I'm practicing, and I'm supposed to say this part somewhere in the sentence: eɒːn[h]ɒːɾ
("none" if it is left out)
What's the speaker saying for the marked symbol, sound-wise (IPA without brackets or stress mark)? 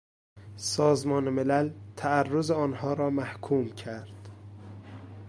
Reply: h